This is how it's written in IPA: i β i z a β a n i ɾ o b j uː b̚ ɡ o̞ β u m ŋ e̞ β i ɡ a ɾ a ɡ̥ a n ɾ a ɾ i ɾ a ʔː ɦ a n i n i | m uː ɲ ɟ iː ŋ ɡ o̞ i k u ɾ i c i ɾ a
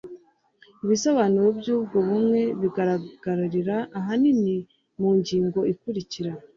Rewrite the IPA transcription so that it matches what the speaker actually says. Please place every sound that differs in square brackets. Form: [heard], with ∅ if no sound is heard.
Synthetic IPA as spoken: i β i [s] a β a n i ɾ o b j uː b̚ ɡ o̞ β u m ŋ e̞ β i ɡ a ɾ a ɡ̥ a [∅] ɾ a ɾ i ɾ a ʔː ɦ a n i n i | m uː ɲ ɟ iː ŋ ɡ o̞ i k u ɾ i c i ɾ a